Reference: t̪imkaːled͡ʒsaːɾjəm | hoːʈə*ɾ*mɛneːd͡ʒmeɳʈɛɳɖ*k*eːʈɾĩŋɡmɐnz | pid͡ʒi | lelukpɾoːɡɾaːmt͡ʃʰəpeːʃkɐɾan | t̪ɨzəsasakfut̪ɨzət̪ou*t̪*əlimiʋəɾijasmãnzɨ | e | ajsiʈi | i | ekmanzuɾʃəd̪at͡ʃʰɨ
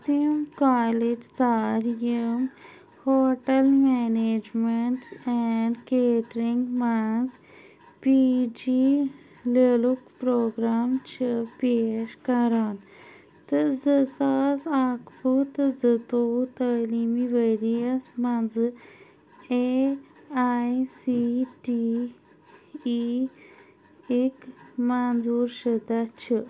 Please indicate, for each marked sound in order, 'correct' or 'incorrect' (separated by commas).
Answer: incorrect, correct, correct